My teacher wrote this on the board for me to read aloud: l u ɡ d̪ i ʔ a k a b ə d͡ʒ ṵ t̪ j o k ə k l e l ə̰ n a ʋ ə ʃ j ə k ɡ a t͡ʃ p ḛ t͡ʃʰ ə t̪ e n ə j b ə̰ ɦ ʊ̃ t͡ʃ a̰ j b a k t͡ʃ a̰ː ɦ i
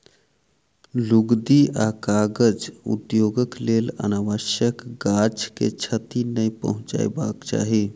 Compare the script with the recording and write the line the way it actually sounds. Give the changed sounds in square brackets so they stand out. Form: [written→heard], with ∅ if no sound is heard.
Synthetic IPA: l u ɡ d̪ i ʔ a k a [b→ɡ] ə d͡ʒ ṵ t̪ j o [k→ɡ] ə k l e l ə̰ n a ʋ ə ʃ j ə k ɡ a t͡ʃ [p→k] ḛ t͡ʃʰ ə t̪ [e→i] n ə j [b→p] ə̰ ɦ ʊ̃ t͡ʃ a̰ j b a k t͡ʃ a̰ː ɦ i